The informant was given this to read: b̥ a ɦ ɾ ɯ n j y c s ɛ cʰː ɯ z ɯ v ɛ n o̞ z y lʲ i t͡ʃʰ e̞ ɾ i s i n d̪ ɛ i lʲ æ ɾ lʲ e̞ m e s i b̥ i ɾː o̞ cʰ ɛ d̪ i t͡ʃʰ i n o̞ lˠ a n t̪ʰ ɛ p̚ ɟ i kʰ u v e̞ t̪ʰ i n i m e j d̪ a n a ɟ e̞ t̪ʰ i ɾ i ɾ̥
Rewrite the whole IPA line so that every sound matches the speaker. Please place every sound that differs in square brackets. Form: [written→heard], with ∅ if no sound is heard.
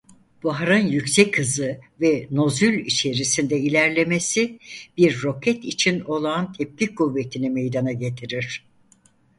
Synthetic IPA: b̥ a ɦ ɾ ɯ n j y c s ɛ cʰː ɯ z ɯ v ɛ n o̞ z y lʲ i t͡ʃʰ e̞ ɾ i s i n d̪ ɛ i lʲ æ ɾ lʲ e̞ m e s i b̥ i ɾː o̞ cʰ ɛ [d̪→t̪] i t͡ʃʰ i n o̞ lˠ a n t̪ʰ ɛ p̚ [ɟ→c] i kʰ u [v→vː] e̞ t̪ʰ i n i m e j d̪ a n a ɟ e̞ t̪ʰ i ɾ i ɾ̥